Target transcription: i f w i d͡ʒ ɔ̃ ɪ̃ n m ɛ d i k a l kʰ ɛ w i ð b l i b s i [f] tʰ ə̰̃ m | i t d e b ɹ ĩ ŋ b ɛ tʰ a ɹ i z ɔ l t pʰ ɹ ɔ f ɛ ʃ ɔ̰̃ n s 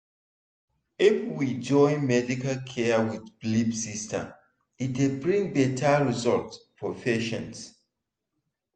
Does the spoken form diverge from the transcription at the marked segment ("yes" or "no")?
yes